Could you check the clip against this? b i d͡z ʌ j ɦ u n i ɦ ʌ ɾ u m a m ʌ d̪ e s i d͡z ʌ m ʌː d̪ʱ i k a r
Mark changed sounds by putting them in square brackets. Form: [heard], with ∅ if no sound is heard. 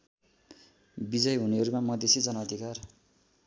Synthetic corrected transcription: b i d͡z ʌ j ɦ u n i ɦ ʌ ɾ u m a m ʌ d̪ e s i d͡z ʌ [n] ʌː d̪ʱ i k a r

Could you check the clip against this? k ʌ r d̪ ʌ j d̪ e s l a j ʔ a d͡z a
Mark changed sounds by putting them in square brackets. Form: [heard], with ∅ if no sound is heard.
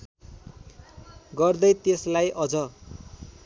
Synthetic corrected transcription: [ɡ] ʌ r d̪ ʌ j [t̪] e s l a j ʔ [ʌ] d͡z [ʌ]

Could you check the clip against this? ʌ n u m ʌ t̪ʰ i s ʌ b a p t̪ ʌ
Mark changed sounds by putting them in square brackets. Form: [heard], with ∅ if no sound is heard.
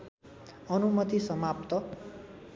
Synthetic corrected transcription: ʌ n u m ʌ [t̪] i s ʌ [m] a p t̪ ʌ

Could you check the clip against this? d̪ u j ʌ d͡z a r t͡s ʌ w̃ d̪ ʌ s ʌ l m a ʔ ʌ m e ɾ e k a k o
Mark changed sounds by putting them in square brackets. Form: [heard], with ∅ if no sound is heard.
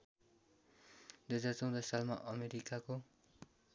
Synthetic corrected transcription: d̪ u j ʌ d͡z a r t͡s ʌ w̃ d̪ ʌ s [a] l m a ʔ ʌ m e ɾ [i] k a k o

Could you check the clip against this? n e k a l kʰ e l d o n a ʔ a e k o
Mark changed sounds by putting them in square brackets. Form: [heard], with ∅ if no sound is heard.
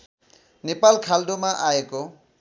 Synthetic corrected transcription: n e [p] a l kʰ [a] l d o [m] a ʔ a e k o

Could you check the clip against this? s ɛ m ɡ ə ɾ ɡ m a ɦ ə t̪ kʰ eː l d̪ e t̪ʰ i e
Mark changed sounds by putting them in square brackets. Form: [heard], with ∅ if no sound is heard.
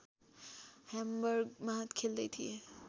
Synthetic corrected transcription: [h] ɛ m [b] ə ɾ ɡ m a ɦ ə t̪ kʰ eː l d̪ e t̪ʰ i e

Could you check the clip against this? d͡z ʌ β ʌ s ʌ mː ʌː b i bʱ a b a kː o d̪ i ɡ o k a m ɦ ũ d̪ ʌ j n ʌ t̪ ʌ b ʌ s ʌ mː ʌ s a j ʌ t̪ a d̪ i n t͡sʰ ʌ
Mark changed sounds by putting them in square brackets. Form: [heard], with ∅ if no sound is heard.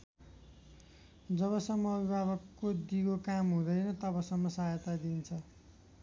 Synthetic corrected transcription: d͡z ʌ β ʌ s ʌ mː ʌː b i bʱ a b [ʌ] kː o d̪ i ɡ o k a m ɦ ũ d̪ ʌ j n ʌ t̪ ʌ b ʌ s ʌ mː ʌ s a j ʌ t̪ a d̪ i n t͡sʰ ʌ

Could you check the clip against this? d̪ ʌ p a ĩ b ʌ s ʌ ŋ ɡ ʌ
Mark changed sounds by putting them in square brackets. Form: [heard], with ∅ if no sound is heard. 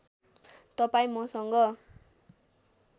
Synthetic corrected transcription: [t̪] ʌ p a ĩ [m] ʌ s ʌ ŋ ɡ ʌ

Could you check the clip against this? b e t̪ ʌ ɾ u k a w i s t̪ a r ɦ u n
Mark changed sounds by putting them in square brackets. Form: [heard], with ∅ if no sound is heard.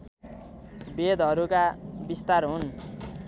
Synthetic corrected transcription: b e [d̪] ʌ ɾ u k a [b] i s t̪ a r ɦ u n

